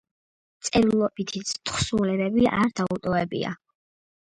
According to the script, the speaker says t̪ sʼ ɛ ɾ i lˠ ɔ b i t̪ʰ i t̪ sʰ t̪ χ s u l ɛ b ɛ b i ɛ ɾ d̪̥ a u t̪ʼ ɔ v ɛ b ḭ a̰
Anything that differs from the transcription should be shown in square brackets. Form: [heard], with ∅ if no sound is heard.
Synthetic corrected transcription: t̪ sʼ ɛ ɾ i lˠ ɔ b i t̪ʰ i t̪ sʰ t̪ χ s u l ɛ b ɛ b i [a] ɾ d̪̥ a u t̪ʼ ɔ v ɛ b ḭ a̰